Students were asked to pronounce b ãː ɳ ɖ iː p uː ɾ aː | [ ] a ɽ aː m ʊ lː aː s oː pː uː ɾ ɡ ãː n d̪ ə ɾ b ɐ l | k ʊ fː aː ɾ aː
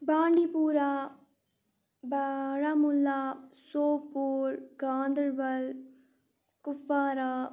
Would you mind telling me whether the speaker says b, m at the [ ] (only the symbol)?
b